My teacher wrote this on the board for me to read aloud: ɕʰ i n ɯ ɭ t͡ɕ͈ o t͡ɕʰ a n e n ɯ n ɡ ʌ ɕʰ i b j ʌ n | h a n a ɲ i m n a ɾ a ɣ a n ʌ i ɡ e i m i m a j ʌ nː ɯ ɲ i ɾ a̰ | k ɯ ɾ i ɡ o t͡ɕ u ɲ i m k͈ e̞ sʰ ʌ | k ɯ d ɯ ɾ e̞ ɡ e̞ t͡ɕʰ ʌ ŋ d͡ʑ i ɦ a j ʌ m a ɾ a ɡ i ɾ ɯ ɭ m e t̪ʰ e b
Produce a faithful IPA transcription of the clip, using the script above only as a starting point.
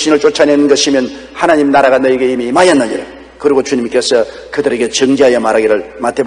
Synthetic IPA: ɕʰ i n ɯ ɭ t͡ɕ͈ o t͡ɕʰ a n e n ɯ n ɡ ʌ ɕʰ i m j ʌ n | h a n a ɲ i m n a ɾ a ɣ a n ʌ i ɡ e i m i m a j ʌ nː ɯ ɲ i ɾ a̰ | k ɯ ɾ i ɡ o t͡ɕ u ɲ i m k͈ e̞ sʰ ʌ | k ɯ d ɯ ɾ e̞ ɡ e̞ t͡ɕ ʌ ŋ d͡ʑ i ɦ a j ʌ m a ɾ a ɡ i ɾ ɯ ɭ m a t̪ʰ e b

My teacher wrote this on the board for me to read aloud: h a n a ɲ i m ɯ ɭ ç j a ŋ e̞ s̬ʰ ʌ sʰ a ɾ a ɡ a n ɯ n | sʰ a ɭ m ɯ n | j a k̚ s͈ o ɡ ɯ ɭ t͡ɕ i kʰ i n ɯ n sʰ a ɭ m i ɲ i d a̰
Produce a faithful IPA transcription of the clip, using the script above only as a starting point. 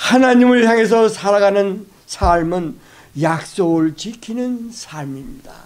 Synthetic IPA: h a n a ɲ i m ɯ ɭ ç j a ŋ e̞ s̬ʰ ʌ sʰ a ɾ a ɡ a n ɯ n | sʰ a ɭ m ɯ n | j a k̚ s͈ o ɡ ɯ ɭ t͡ɕ i kʰ i n ɯ n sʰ a ɭ m i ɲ i d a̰

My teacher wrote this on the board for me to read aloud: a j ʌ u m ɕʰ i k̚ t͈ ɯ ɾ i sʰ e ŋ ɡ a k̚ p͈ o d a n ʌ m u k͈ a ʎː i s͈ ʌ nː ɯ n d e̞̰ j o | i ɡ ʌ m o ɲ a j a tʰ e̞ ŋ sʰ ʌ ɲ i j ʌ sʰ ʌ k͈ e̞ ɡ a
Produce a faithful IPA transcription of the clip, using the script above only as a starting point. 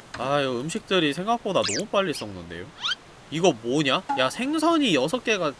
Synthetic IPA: a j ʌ ɯ m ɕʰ i k̚ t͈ ɯ ɾ i sʰ e ŋ ɡ a k̚ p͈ o d a n ʌ m u p͈ a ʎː i s͈ ʌ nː ɯ n d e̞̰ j o | i ɡ ʌ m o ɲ a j a sʰ e̞ ŋ sʰ ʌ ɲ i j ʌ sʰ ʌ k͈ e̞ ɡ a

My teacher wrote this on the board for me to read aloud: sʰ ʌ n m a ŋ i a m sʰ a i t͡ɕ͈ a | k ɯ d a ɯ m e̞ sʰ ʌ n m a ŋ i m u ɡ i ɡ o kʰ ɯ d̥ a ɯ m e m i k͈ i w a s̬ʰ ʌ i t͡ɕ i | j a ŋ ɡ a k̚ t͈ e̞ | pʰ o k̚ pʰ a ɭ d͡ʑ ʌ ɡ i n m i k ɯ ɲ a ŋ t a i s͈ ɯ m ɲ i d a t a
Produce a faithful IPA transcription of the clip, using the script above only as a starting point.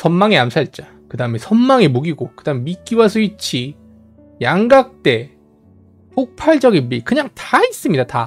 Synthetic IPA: sʰ ʌ n m a ŋ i a m sʰ a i t͡ɕ͈ a | k ɯ d a ɯ m e̞ sʰ ʌ n m a ŋ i m u ɡ i ɡ o k ɯ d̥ a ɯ m e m i k͈ i w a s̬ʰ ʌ i t͡ɕʰ i | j a ŋ ɡ a k̚ t͈ e̞ | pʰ o k̚ pʰ a ɭ d͡ʑ ʌ ɡ i n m i k ɯ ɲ a ŋ t a i s͈ ɯ m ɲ i d a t a

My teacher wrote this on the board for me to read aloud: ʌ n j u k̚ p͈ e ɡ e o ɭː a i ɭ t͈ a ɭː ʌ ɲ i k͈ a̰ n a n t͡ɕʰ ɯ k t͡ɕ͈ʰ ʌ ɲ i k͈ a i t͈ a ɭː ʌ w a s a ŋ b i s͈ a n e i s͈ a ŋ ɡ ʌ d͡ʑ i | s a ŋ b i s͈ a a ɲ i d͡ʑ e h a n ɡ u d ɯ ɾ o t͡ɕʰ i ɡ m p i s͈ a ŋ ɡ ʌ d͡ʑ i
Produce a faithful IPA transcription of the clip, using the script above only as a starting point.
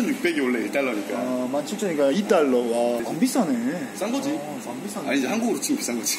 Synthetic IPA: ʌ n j u k̚ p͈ e ɡ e o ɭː e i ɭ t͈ a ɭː ʌ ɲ i k͈ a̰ m a n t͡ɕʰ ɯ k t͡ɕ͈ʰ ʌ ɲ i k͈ a i t͈ a ɭː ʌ w a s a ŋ b i s͈ a n e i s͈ a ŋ ɡ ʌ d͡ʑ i | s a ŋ b i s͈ a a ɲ i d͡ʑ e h a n ɡ u ɡ ɯ ɾ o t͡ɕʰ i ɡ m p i s͈ a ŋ ɡ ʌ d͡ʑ i

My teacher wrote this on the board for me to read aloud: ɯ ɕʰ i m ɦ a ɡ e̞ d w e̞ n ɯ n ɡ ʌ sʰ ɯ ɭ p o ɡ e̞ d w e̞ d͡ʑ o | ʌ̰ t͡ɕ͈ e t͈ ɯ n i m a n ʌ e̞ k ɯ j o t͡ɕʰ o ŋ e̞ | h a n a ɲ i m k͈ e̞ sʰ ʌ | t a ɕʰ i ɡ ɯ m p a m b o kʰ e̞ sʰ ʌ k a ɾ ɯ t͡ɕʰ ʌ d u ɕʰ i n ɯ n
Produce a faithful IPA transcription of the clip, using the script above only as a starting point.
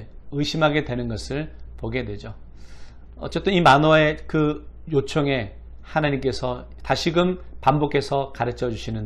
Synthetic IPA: ɯ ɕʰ i m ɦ a ɡ e̞ d w e̞ n ɯ n ɡ ʌ sʰ ɯ ɭ p o ɡ e̞ d w e̞ d͡ʑ o | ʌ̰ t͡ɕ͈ e t͈ ɯ n i m a n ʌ e̞ k ɯ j o t͡ɕʰ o ŋ e̞ | h a n a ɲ i m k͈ e̞ sʰ ʌ | t a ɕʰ i ɡ ɯ m p a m b o kʰ e̞ sʰ ʌ k a ɾ ɯ t͡ɕʰ ʌ d͡ʑ u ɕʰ i n ɯ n

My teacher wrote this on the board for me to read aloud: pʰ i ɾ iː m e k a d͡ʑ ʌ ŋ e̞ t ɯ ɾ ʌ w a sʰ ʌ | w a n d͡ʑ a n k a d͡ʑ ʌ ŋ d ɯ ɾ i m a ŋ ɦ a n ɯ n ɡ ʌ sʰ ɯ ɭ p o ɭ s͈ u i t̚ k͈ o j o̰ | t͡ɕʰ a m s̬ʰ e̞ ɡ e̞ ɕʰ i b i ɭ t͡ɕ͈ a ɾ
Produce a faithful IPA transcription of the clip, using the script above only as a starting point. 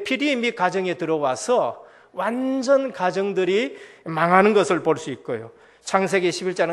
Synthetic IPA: pʰ i ɾ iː m i k a d͡ʑ ʌ ŋ e̞ t ɯ ɾ ʌ w a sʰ ʌ | w a n d͡ʑ ʌ n k a d͡ʑ ʌ ŋ d ɯ ɾ i m a ŋ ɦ a n ɯ n ɡ ʌ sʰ ɯ ɭ p o ɭ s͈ u i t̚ k͈ o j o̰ | t͡ɕʰ a ŋ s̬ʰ e̞ ɡ e̞ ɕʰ i b i ɭ t͡ɕ͈ a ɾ

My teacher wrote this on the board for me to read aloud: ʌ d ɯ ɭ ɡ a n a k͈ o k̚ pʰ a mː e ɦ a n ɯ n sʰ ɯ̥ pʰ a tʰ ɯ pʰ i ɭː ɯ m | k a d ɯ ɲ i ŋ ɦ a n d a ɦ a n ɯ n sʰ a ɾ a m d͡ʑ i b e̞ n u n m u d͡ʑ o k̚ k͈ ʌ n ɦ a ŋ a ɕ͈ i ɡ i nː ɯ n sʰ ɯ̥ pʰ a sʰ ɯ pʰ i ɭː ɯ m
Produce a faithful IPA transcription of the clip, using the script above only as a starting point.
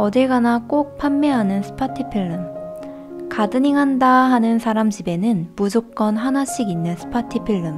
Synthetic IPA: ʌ d ɯ ɭ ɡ a n a k͈ o k̚ pʰ a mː e ɦ a n ɯ n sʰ ɯ̥ pʰ a tʰ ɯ pʰ i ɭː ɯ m | k a d ɯ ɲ i ŋ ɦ a n d a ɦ a n ɯ n sʰ a ɾ a m d͡ʑ i b e̞ n ɯ n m u d͡ʑ o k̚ k͈ ʌ n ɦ a n a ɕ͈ i ɡ i nː ɯ n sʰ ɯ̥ pʰ a tʰ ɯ pʰ i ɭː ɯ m

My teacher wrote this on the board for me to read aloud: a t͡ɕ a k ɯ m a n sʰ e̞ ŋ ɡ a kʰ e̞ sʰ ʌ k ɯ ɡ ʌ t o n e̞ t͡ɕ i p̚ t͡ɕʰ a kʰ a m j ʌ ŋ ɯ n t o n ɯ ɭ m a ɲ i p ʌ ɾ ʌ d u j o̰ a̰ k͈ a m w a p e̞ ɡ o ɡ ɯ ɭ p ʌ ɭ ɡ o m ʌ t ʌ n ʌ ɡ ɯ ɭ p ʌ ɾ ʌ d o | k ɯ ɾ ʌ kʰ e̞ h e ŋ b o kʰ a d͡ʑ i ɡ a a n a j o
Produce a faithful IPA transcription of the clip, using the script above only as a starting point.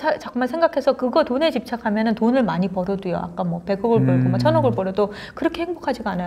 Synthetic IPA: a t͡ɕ a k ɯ m a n sʰ e̞ ŋ ɡ a kʰ e̞ sʰ ʌ k ɯ ɡ ʌ t o n e̞ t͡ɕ i p̚ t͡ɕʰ a kʰ a m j ʌ n ɯ n t o n ɯ ɭ m a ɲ i p ʌ ɾ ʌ d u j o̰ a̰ k͈ a m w ʌ p e̞ ɡ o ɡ ɯ ɭ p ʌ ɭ ɡ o m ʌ t͡ɕʰ ʌ n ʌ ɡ ɯ ɭ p ʌ ɾ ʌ d o | k ɯ ɾ ʌ kʰ e̞ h e ŋ b o kʰ a d͡ʑ i ɡ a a n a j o

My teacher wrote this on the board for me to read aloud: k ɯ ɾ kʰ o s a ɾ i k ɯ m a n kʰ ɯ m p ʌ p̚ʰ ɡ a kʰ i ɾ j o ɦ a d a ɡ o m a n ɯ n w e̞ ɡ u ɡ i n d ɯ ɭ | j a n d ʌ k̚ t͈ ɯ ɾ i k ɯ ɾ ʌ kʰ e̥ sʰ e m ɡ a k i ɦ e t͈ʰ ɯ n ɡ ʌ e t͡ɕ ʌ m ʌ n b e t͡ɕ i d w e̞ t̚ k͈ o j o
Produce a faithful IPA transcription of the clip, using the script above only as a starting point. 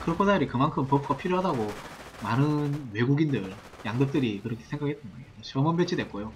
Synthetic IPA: k ɯ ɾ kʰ o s a ɾ i k ɯ m a n kʰ ɯ m p ʌ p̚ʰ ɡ a pʰ i ɾ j o ɦ a d a ɡ o m a n ɯ n w e̞ ɡ u ɡ i n d ɯ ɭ | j a ŋ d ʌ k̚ t͈ ɯ ɾ i k ɯ ɾ ʌ kʰ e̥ sʰ e ŋ ɡ a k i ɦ e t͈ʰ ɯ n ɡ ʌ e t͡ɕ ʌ m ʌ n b e t͡ɕʰ i d w e̞ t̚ k͈ o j o

